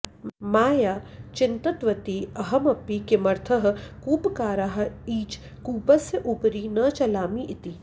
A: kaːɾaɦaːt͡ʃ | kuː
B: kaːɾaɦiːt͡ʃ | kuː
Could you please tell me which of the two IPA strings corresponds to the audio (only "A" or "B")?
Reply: B